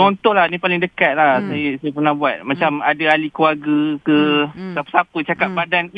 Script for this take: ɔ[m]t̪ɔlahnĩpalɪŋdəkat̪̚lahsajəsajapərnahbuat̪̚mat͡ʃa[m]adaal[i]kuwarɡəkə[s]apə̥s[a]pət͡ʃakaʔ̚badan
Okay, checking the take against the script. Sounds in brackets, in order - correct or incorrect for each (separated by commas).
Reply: incorrect, correct, correct, correct, correct